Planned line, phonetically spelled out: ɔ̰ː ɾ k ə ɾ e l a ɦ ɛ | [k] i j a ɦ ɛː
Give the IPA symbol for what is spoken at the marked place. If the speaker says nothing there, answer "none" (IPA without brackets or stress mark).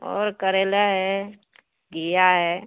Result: ɡ